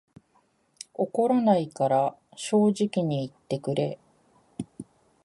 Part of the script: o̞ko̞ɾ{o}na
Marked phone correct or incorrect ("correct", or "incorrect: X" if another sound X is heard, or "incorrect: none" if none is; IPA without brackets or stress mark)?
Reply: correct